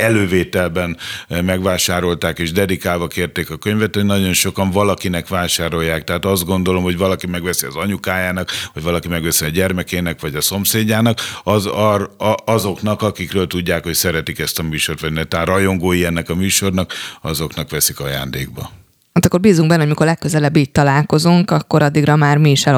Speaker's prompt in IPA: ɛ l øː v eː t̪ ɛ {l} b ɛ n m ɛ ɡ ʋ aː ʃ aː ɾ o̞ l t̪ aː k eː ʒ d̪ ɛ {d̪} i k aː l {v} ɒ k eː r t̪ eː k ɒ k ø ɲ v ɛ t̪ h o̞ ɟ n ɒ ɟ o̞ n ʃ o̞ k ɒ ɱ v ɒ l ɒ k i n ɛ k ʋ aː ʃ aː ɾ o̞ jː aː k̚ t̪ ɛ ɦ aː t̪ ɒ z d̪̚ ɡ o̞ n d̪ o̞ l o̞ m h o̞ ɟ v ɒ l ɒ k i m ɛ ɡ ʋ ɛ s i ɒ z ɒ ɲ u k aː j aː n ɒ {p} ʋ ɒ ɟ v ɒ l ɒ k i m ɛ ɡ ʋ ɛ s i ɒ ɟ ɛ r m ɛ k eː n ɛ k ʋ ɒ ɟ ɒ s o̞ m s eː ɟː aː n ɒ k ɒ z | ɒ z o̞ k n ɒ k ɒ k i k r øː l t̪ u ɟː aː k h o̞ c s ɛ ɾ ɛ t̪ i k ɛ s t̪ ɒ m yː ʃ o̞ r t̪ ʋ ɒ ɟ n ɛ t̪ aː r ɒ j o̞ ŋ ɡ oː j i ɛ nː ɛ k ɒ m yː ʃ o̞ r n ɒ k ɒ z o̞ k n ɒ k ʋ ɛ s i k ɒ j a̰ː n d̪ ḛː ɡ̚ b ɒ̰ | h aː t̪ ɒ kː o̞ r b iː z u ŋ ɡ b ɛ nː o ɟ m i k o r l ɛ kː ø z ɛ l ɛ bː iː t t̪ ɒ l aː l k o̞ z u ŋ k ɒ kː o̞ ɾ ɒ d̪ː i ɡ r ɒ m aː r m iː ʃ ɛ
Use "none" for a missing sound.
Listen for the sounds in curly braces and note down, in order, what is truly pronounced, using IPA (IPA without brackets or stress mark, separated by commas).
l, d̪, v, k